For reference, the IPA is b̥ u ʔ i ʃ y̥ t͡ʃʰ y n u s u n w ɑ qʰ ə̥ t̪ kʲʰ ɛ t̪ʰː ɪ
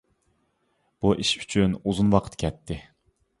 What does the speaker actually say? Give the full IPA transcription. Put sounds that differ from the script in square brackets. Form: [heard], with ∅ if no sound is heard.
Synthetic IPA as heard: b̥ u ʔ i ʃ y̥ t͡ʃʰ y n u [z] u n w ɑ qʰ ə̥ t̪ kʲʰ ɛ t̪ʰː ɪ